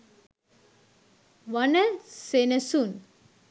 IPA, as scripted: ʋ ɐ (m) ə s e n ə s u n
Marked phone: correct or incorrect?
incorrect